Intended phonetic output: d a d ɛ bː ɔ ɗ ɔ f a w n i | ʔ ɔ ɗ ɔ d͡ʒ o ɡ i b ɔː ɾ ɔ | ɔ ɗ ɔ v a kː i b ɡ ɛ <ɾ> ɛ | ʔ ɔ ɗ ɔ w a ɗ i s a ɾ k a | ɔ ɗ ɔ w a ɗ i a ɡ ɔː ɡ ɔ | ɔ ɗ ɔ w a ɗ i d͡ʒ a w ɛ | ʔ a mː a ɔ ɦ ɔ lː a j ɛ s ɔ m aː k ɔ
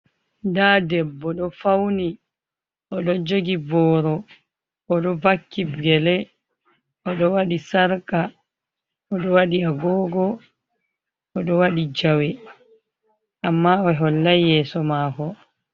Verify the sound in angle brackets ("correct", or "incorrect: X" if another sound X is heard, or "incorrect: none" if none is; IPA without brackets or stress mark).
incorrect: l